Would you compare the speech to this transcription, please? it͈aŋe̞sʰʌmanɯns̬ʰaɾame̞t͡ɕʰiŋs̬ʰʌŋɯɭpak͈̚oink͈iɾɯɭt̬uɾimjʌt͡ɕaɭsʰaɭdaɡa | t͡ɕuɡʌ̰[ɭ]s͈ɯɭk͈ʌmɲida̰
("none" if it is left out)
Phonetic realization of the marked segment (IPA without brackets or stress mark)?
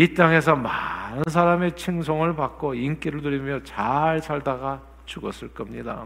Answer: none